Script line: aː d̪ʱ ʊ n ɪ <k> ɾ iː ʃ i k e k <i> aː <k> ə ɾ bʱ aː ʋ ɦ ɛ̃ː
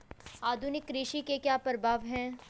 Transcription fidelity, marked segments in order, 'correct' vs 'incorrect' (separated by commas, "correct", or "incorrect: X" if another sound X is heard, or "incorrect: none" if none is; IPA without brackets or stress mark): correct, incorrect: j, incorrect: p